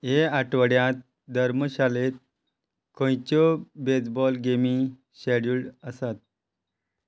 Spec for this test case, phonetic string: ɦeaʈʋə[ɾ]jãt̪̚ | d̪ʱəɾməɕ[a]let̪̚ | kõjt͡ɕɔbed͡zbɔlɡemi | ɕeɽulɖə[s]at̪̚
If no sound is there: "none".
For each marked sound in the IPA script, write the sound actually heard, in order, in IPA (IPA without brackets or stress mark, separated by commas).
ɽ, a, s